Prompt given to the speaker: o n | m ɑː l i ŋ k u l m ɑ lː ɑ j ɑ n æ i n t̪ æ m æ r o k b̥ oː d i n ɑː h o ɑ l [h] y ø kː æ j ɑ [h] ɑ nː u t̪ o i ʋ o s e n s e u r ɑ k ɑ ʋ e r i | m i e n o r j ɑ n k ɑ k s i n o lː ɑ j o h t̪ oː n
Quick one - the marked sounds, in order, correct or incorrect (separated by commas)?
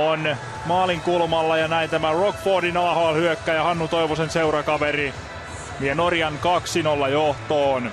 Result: correct, correct